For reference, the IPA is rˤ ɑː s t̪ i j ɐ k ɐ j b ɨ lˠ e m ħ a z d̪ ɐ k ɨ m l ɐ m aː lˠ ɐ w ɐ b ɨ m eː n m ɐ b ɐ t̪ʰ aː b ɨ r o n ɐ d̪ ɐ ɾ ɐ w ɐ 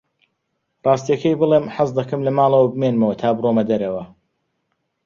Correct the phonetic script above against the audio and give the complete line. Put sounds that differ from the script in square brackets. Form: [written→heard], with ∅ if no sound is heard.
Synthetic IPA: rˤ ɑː s t̪ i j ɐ k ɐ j b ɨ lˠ e m ħ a z d̪ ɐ k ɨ m l ɐ m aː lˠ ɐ w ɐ b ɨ m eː n m ɐ [b→w] ɐ t̪ʰ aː b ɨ r o [n→m] ɐ d̪ ɐ ɾ ɐ w ɐ